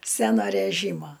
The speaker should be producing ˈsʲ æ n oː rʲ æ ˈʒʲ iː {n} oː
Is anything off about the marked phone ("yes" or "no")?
yes